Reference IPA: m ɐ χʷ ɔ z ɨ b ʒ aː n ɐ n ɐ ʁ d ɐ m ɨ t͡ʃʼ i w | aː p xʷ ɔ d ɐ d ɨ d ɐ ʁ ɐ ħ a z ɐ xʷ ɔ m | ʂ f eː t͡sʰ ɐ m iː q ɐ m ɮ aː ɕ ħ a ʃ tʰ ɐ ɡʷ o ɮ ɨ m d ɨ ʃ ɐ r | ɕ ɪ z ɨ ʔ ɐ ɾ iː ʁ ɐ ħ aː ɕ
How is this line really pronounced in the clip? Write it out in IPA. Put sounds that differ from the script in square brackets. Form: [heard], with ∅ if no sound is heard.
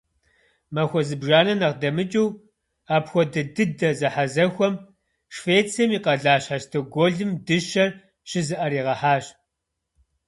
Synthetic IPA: m ɐ [xʷ] ɔ z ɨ b ʒ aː n ɐ n ɐ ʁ d ɐ m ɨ t͡ʃʼ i w | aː p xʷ ɔ d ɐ d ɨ d ɐ [z] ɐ ħ a z ɐ xʷ ɔ m | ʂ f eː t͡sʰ ɐ m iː q ɐ [∅] ɮ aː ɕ ħ a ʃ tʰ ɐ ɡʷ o ɮ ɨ m d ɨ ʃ ɐ r | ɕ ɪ z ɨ ʔ ɐ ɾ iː ʁ ɐ ħ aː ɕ